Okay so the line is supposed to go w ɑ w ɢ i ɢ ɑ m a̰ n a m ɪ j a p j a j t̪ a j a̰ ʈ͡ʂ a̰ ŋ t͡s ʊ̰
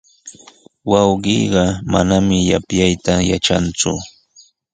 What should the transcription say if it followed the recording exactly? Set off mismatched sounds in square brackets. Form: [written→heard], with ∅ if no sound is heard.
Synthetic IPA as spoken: w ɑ w ɢ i ɢ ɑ m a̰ n a m ɪ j a p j a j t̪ a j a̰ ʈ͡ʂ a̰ [ŋ→n] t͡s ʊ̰